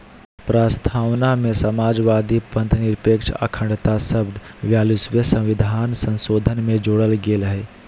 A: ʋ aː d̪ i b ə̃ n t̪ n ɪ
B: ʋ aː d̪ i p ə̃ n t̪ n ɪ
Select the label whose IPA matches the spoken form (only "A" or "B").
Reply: B